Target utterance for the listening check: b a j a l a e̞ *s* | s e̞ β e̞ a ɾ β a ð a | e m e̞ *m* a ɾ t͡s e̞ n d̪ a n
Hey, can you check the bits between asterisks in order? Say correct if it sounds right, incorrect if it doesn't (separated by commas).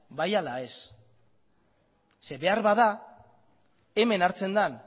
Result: correct, incorrect